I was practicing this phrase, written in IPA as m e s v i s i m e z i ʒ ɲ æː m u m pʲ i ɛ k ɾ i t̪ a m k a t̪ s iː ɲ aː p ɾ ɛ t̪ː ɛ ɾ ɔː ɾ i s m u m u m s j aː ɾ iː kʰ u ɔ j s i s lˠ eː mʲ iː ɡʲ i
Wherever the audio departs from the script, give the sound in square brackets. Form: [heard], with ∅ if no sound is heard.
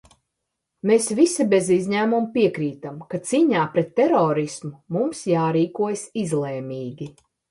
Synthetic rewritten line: m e s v i s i [b] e z i [z] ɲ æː m u m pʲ i ɛ k ɾ [iː] t̪ a m k a t̪ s iː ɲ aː p ɾ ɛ t̪ː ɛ ɾ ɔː ɾ i s m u m u m s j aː ɾ iː [k] u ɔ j s i [z] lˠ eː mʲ iː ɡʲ i